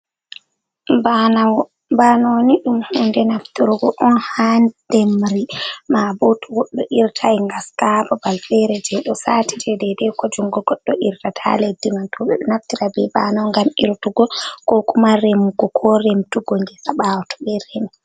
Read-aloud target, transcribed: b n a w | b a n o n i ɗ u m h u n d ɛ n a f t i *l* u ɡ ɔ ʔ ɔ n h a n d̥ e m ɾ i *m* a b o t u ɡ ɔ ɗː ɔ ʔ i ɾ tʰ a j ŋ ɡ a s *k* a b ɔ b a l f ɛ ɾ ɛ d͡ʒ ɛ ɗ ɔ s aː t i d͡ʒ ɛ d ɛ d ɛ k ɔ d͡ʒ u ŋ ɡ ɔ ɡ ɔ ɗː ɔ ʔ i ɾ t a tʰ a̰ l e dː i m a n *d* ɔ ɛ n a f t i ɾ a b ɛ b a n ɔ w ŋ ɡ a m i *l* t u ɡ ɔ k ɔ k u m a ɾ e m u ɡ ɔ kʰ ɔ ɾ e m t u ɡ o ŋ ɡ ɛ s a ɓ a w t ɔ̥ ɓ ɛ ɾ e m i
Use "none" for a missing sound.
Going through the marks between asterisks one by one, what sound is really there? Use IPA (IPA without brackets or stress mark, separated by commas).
ɾ, m, k, t, ɾ